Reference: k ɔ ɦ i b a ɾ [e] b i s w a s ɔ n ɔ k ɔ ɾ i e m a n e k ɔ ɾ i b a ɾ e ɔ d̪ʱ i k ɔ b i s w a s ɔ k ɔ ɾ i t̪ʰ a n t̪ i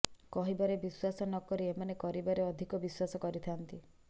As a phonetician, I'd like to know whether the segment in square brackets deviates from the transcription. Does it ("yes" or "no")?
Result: no